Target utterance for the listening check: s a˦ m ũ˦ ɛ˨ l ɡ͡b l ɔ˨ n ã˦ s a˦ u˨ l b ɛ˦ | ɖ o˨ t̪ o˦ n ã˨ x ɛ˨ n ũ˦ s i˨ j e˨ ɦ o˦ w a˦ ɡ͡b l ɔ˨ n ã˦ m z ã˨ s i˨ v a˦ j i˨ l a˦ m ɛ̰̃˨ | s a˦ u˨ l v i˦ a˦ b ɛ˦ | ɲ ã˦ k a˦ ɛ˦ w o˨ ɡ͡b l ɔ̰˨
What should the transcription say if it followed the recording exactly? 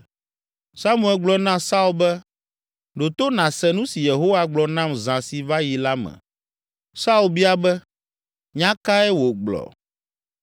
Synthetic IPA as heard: s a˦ m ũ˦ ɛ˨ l ɡ͡b l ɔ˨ n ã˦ s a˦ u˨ l b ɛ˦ | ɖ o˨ t̪ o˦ n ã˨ s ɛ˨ n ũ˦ s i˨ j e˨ ɦ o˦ w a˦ ɡ͡b l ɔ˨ n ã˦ m z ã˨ s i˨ v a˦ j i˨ l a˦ m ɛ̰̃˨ | s a˦ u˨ l b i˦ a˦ b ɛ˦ | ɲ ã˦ k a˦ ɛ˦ w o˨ ɡ͡b l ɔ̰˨